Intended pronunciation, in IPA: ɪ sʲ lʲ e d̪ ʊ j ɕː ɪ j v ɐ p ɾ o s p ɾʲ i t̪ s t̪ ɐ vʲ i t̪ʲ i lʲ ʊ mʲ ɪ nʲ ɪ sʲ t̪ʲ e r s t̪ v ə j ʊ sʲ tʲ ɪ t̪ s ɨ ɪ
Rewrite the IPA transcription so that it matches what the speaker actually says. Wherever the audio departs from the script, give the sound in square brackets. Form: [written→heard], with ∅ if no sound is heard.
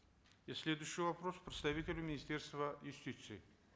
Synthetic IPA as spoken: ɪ sʲ lʲ e d̪ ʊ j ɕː ɪ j v ɐ p ɾ o s p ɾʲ [i→ɪ] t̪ s t̪ ɐ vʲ i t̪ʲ [i→ɪ] lʲ ʊ mʲ ɪ nʲ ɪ sʲ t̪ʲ e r s t̪ v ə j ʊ sʲ tʲ [ɪ→i] t̪ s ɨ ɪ